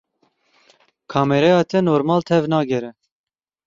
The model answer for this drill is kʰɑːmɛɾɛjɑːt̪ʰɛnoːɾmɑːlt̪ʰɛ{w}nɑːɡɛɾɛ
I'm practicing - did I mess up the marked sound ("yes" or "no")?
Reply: yes